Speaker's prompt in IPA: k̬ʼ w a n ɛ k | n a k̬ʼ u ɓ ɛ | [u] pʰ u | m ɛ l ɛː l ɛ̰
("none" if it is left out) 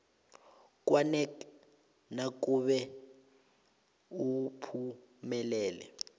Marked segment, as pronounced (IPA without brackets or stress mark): u